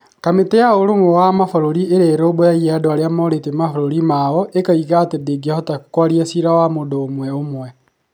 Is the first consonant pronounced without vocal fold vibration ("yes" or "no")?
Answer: yes